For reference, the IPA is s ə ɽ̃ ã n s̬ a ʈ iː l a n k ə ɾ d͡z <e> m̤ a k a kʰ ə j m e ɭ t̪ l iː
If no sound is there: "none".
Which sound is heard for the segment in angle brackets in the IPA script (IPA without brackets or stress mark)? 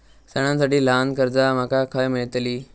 a